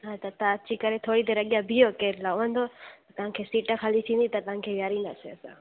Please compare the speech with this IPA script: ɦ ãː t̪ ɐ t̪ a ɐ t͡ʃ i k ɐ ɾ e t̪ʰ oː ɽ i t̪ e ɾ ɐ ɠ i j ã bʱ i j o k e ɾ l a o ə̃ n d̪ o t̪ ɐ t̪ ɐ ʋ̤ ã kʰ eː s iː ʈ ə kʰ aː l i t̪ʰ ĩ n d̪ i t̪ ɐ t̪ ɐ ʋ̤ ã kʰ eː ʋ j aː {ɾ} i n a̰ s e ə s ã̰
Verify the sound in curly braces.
correct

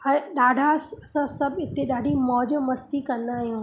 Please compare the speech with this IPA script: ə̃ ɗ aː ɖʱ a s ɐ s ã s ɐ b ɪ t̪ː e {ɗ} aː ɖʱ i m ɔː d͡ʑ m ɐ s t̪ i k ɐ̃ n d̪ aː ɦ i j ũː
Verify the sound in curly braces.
correct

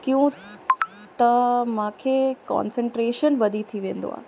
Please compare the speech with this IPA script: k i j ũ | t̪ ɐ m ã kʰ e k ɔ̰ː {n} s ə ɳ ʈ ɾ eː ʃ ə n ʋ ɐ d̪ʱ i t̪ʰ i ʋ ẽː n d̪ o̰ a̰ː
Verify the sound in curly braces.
correct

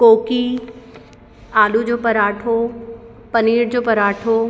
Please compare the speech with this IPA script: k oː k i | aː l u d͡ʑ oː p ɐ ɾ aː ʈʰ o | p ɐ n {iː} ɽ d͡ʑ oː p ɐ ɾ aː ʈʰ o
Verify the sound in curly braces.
correct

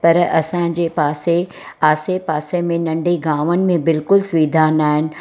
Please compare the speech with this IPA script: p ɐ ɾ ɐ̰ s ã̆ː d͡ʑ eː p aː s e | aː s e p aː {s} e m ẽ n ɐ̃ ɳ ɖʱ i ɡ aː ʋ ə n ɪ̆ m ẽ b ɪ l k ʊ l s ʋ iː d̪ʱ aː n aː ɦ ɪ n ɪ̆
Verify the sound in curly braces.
correct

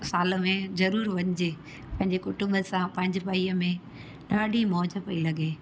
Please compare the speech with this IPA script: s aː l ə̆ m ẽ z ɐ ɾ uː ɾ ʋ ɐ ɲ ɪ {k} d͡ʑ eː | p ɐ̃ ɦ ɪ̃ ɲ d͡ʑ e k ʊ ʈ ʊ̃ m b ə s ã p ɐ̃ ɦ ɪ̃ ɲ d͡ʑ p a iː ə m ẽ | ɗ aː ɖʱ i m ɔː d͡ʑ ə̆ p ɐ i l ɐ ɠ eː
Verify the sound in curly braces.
incorrect: none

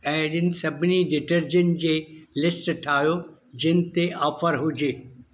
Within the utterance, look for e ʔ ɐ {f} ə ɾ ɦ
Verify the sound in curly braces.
correct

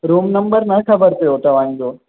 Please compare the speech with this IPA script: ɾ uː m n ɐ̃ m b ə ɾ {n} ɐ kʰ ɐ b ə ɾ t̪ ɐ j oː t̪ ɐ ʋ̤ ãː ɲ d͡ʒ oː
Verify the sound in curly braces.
correct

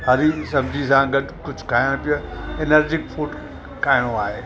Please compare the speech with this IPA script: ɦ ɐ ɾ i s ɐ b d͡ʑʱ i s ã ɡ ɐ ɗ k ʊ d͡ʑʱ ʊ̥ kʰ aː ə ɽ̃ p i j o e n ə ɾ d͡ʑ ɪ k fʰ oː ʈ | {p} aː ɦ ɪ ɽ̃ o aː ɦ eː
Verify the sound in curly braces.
incorrect: k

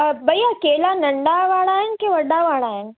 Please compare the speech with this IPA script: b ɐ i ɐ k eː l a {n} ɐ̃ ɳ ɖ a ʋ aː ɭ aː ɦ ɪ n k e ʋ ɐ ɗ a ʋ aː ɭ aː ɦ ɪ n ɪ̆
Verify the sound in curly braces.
correct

